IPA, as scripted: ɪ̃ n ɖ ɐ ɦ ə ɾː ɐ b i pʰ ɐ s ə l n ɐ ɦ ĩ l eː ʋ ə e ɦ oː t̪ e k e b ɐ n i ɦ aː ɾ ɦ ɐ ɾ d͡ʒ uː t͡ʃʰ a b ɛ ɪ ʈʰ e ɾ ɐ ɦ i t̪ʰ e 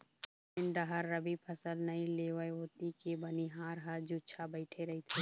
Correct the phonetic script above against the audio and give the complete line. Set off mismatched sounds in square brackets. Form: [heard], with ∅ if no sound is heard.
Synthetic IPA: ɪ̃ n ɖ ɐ ɦ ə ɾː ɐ b i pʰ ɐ s ə l n ɐ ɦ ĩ l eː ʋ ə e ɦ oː t̪ [i] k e b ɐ n i ɦ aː ɾ ɦ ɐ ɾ d͡ʒ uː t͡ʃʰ a b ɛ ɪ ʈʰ e ɾ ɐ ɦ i t̪ʰ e